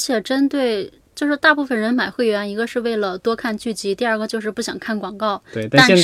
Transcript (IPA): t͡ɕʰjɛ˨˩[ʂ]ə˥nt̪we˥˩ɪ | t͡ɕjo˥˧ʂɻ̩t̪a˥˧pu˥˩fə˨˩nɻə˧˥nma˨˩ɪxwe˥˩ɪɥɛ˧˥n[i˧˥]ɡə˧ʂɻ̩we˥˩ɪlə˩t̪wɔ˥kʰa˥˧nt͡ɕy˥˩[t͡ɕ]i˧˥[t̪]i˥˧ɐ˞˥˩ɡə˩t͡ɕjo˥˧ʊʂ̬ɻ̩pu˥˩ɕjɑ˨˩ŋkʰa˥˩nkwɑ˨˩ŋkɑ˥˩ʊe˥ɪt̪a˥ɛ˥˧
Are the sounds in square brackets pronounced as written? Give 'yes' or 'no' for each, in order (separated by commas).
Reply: no, yes, yes, yes